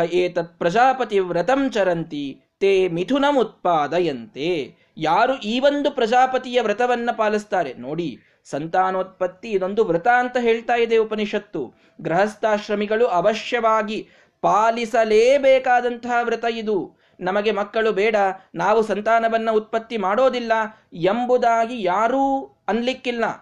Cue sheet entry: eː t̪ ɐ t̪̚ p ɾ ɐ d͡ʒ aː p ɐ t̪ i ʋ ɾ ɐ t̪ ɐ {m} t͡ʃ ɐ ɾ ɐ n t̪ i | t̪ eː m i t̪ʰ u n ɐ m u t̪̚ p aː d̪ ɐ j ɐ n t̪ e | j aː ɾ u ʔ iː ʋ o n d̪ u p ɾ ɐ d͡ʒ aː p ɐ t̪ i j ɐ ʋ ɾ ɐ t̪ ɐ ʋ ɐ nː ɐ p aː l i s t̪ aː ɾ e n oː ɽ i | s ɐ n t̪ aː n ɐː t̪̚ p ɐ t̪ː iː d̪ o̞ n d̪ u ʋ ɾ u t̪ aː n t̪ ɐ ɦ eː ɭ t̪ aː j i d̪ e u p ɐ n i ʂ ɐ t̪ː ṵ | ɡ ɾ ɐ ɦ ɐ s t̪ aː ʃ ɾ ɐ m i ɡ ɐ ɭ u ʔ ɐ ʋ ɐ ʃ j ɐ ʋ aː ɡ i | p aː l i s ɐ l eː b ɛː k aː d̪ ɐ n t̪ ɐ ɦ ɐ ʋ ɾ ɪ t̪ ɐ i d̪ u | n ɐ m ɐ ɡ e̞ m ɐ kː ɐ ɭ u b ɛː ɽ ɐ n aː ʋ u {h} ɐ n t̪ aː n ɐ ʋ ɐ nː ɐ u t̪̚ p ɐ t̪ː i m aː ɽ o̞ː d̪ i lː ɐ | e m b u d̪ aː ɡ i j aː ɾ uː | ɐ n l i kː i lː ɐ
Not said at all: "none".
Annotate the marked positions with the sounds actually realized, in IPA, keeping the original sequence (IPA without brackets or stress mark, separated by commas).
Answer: m, s